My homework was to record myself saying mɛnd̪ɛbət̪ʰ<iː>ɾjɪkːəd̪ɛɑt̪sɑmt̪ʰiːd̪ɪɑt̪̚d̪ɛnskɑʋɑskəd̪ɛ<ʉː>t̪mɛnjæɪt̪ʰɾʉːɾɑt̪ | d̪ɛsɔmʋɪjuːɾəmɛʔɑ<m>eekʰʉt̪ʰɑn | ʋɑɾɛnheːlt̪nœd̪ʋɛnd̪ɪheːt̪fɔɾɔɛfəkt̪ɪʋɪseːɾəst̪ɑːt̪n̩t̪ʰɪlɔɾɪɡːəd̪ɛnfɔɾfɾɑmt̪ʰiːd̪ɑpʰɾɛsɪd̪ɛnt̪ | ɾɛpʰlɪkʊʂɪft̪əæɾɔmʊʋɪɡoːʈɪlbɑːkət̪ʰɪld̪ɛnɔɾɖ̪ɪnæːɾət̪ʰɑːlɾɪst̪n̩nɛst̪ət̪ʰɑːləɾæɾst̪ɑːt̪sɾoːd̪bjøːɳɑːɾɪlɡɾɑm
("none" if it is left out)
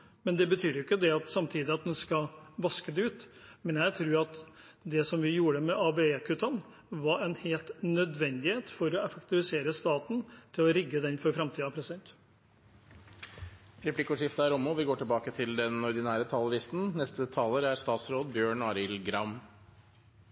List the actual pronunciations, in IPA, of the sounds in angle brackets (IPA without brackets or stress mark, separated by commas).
yː, ʉː, b